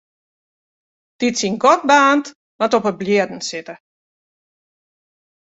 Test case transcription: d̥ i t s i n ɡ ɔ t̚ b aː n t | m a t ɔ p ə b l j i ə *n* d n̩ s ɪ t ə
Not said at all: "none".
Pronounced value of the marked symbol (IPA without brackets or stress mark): none